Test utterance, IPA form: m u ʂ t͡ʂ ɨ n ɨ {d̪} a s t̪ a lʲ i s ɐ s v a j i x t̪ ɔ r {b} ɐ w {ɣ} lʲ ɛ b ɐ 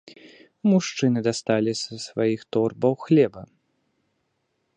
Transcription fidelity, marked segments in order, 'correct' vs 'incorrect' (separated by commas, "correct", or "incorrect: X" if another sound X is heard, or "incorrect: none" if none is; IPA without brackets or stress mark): correct, correct, incorrect: x